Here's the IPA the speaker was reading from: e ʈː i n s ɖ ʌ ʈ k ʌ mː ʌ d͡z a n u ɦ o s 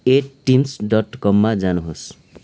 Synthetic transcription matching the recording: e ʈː i m s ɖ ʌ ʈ k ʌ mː a d͡z a n u ɦ o s